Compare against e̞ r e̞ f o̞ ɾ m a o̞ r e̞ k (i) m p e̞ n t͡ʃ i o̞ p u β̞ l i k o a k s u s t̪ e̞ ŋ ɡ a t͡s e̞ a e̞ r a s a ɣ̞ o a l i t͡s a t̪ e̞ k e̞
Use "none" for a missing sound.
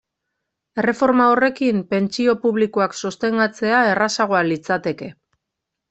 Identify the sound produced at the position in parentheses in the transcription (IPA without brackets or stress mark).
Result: i